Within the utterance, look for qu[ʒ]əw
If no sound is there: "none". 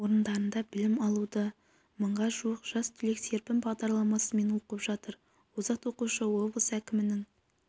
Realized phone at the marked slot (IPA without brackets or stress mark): ʃ